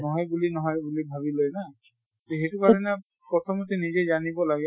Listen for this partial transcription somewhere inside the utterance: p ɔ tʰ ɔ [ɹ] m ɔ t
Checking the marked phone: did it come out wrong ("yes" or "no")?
yes